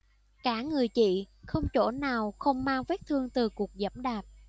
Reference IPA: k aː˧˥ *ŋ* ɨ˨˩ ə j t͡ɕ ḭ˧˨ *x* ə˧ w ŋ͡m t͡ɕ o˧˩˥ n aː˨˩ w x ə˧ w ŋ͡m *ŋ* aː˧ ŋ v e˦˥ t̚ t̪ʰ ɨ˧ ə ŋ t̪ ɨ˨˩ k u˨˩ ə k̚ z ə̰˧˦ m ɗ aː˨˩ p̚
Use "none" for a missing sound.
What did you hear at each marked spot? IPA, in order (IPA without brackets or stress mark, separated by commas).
ŋ, x, m